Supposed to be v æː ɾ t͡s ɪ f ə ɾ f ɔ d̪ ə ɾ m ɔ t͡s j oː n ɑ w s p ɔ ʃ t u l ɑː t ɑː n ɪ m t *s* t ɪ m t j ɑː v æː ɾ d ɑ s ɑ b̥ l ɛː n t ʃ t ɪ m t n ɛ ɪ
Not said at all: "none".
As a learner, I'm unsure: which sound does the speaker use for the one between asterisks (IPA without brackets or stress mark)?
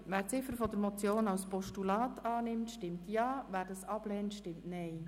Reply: ʃ